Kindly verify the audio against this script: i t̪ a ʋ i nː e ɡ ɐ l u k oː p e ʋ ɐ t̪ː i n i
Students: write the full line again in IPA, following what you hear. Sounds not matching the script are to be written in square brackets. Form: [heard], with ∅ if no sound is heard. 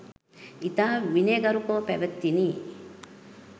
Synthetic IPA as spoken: i t̪ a ʋ i [n] e ɡ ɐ [ɾ] u k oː p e ʋ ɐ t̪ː i n i

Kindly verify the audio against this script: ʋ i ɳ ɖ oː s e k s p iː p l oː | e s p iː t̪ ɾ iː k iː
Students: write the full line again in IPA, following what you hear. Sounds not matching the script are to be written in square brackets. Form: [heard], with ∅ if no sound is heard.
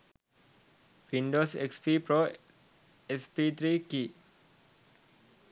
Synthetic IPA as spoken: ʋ i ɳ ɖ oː s e k s p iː p [ɾ] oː | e s p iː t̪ ɾ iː k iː

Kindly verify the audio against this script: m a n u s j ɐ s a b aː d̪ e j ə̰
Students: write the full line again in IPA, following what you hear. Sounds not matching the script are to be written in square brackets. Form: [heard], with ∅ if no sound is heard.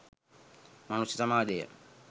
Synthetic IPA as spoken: m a n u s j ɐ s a [m] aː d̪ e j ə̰

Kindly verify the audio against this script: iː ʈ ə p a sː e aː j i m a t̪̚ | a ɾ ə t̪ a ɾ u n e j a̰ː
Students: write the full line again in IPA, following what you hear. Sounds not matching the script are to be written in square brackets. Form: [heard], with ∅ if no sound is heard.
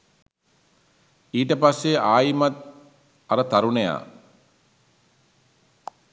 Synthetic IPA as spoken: iː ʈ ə p a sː e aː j i m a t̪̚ | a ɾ ə t̪ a ɾ u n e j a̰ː

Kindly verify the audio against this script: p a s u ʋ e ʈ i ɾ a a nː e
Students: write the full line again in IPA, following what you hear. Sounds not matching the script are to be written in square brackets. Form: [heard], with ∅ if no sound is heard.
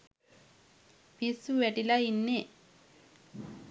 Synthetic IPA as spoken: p [i] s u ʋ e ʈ i [l] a [i] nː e

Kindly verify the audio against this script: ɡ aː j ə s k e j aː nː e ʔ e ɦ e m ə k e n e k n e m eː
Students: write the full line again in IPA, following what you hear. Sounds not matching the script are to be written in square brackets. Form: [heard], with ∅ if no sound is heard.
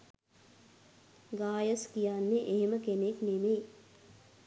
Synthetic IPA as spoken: ɡ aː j ə s k [i] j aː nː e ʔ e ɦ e m ə k e n e k n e m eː

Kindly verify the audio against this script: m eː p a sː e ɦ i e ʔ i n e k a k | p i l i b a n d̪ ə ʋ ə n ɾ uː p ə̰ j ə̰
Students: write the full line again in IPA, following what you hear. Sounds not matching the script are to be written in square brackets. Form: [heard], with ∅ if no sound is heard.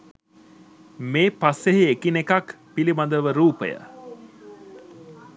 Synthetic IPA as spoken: m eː p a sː e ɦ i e [k] i n e k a k | p i l i b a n d̪ ə ʋ ə [∅] ɾ uː p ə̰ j ə̰

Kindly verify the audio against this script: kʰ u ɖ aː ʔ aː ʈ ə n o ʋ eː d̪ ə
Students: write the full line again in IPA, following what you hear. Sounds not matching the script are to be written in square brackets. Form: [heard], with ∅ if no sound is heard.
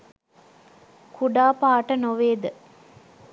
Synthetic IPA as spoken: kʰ u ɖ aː [p] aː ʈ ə n o ʋ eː d̪ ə

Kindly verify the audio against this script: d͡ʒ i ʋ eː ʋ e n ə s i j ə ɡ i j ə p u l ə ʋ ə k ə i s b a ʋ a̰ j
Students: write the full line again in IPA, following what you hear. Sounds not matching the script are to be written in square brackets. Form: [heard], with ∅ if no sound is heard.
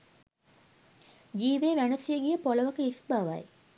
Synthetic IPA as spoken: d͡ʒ [iː] ʋ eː ʋ [æ] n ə s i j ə ɡ i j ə p [o] l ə ʋ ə k ə i s b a ʋ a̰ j

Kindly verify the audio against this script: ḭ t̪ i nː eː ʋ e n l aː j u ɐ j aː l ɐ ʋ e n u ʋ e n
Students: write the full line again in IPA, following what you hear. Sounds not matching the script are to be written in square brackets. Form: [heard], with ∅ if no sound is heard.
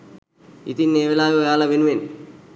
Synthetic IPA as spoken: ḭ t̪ i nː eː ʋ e [∅] l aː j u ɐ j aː l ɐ ʋ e n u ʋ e n

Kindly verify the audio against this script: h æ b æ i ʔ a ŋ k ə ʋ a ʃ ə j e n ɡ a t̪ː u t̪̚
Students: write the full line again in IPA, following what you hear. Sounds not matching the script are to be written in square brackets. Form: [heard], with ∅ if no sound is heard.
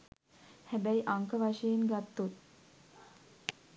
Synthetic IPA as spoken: h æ b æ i ʔ a ŋ k ə ʋ a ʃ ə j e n ɡ a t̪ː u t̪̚

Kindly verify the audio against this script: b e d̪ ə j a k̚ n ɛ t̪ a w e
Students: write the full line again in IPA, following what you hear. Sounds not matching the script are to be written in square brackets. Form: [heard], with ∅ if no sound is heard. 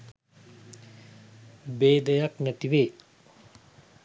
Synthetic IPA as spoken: b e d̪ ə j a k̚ n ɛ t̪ [i] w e

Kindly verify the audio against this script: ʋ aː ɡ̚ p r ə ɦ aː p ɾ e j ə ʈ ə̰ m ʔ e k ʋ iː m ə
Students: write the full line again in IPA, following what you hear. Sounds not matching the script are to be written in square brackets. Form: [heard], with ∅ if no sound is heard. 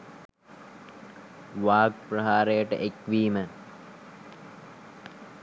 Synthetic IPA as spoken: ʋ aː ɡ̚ p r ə ɦ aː [∅] ɾ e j ə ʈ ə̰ [∅] ʔ e k ʋ iː m ə

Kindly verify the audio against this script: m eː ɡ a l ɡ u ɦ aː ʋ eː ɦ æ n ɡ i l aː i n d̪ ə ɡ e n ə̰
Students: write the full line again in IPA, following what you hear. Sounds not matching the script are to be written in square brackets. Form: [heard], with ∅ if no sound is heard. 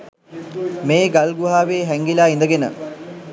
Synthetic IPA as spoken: m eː ɡ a l ɡ u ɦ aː ʋ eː ɦ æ [ŋ] ɡ i l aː i n d̪ ə ɡ e n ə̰

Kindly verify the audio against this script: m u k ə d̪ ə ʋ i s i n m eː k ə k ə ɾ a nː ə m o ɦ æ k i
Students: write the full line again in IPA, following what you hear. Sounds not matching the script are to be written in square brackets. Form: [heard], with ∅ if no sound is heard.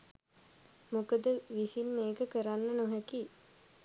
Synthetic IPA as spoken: m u k ə d̪ ə ʋ i s i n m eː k ə k ə ɾ a nː ə [n] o ɦ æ k i

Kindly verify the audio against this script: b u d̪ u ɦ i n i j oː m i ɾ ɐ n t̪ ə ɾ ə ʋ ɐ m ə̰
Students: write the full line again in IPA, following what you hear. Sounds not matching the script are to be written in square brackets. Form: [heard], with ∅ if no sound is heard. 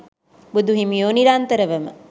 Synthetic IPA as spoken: b u d̪ u ɦ i [m] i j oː [n] i ɾ [a] n t̪ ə ɾ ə ʋ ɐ m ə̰

